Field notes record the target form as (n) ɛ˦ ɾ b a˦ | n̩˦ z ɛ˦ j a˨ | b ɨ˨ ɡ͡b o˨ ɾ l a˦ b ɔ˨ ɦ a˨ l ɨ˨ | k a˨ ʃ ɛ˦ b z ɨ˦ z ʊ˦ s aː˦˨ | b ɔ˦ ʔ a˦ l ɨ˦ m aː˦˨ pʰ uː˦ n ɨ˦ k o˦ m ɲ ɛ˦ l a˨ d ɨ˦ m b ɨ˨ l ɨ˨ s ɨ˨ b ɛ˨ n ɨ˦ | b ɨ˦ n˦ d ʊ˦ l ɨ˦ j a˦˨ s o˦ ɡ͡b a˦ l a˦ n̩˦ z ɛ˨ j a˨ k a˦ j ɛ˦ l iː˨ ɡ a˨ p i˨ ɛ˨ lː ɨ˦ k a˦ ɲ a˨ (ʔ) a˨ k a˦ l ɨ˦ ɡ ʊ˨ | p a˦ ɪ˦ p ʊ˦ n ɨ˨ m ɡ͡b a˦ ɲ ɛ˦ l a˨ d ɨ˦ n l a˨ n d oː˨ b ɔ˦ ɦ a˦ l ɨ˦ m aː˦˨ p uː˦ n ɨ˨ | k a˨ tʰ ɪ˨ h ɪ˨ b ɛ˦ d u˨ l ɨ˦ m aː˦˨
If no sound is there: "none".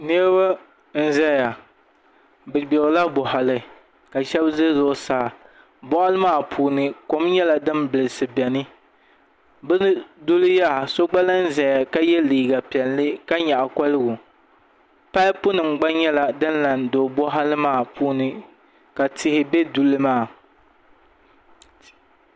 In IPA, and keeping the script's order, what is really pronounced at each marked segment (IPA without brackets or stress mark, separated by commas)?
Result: n, ʔ